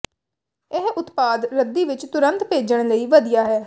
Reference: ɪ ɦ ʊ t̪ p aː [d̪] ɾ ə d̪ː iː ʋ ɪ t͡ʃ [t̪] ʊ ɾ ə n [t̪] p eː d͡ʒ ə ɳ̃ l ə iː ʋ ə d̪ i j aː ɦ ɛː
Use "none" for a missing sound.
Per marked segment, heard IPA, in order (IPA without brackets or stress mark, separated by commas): d̪, t̪, t̪